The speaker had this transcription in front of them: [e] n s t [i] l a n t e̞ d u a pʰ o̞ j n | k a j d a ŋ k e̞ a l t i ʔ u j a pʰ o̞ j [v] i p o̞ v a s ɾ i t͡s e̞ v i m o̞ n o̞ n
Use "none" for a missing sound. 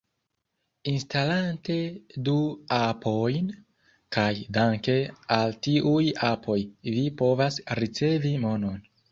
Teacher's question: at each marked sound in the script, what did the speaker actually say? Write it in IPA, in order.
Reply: i, a, v

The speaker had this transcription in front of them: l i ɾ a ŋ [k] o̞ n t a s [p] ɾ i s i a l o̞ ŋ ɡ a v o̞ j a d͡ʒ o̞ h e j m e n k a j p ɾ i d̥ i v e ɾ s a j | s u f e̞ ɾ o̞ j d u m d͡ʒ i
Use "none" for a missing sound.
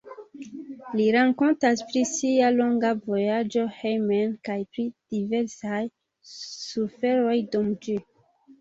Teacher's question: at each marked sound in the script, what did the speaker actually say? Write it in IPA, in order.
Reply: k, p

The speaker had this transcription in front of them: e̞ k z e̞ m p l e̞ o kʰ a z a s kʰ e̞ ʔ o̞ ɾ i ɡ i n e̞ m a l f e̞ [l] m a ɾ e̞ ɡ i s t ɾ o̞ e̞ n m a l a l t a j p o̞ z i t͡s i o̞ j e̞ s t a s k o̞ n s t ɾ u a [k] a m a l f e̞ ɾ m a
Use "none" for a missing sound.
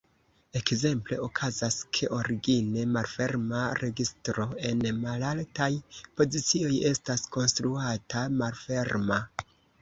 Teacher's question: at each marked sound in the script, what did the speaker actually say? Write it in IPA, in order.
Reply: ɾ, t

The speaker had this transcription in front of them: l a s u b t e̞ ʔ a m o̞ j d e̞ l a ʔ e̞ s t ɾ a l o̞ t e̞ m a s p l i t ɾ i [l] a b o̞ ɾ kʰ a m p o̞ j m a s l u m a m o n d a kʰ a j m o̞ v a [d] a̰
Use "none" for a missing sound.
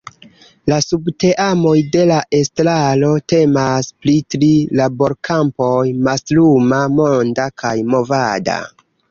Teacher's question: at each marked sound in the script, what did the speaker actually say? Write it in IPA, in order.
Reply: l, d

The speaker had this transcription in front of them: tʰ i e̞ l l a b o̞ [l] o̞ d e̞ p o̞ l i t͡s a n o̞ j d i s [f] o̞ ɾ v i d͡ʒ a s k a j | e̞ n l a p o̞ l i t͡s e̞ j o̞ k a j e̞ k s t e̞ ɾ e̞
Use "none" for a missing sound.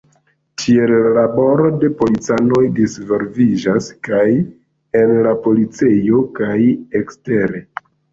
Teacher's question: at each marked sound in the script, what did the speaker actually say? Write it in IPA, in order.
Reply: ɾ, v

